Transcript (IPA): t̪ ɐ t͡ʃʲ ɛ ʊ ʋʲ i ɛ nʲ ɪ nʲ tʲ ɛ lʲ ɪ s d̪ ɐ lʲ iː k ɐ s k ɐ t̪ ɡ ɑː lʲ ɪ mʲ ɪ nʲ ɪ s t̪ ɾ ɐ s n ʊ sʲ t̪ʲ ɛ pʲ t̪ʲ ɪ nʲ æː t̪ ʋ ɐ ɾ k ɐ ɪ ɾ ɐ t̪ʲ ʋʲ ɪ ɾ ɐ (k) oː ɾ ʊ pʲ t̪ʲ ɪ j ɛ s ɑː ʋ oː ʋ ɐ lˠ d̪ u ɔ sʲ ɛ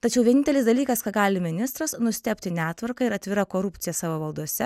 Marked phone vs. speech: correct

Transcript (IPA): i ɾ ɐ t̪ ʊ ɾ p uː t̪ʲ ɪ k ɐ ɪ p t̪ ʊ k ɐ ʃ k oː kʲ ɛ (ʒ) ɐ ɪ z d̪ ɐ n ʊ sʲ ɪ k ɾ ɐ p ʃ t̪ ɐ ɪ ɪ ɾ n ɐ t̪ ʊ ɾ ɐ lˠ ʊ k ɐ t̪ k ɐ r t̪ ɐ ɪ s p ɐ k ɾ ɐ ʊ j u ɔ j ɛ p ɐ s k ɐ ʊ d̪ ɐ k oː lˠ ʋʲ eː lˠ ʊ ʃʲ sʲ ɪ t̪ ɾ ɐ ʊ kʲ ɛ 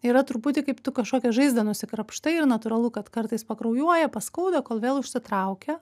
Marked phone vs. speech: correct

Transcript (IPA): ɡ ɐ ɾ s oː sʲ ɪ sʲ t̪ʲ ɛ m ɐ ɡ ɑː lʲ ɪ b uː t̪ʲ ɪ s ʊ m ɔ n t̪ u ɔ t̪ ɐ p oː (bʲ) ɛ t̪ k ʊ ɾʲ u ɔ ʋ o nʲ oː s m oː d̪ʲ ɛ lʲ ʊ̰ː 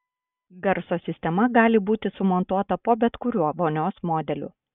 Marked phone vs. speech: correct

